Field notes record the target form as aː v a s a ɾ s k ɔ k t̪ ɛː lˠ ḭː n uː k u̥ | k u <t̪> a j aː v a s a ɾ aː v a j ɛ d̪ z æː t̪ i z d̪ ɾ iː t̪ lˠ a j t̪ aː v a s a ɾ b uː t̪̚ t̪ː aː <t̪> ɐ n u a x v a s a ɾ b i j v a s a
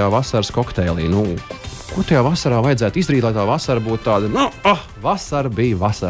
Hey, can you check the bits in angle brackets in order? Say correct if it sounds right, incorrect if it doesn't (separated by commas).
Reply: correct, incorrect